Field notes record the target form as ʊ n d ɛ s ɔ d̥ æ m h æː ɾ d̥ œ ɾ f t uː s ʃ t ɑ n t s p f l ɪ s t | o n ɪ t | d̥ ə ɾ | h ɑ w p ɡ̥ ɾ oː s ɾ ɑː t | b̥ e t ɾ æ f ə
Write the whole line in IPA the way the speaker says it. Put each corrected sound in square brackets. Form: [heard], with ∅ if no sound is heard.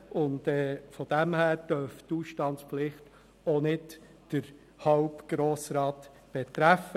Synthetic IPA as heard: ʊ n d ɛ [f] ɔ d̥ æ m h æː ɾ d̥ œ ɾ f t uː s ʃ t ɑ n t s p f l ɪ [χ] t | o n ɪ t | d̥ ə ɾ | h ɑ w p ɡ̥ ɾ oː s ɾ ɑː t | b̥ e t ɾ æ f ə